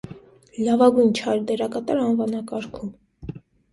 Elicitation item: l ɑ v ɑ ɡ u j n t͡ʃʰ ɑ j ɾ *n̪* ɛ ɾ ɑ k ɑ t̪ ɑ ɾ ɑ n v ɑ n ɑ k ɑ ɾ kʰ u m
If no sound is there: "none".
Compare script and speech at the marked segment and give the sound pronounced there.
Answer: d̪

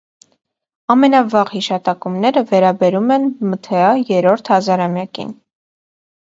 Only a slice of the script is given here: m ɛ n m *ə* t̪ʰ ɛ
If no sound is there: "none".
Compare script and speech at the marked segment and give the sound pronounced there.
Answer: ə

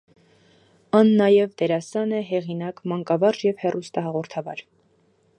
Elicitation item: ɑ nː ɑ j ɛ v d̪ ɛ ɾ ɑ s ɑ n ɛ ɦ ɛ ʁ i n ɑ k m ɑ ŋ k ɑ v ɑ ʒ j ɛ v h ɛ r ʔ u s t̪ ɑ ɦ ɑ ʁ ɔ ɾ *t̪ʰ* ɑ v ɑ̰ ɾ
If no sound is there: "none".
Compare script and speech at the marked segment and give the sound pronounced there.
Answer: t̪ʰ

